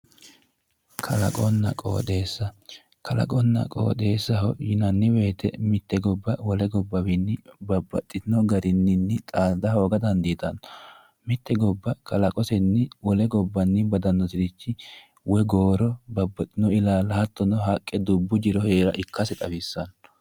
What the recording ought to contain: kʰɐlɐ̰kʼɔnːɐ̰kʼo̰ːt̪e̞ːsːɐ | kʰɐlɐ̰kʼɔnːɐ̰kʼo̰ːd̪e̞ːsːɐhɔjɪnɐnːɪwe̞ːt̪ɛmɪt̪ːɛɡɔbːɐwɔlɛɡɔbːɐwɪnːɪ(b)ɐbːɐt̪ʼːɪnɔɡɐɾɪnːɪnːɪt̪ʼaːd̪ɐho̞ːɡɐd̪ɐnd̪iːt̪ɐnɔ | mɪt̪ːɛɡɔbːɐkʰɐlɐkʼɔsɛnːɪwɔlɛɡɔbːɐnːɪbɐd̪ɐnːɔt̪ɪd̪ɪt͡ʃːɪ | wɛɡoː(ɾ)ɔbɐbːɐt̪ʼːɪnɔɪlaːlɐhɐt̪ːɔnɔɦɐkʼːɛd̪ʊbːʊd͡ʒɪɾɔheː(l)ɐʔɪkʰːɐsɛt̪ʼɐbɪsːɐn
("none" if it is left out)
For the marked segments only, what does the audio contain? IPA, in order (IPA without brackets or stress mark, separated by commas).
b, ɾ, ɾ